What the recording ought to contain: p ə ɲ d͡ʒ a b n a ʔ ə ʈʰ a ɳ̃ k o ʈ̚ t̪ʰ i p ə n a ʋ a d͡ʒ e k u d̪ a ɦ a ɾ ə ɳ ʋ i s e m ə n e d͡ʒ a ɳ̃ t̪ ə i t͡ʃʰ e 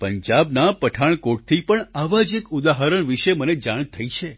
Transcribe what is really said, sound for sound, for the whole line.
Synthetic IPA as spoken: p ə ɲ d͡ʒ a b n a p ə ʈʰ a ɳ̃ k o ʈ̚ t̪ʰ i p ə ɳ a ʋ a d͡ʒ e k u d̪ a ɦ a ɾ ə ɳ ʋ i ʃ e m ə n e d͡ʒ a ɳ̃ t̪ʰ ə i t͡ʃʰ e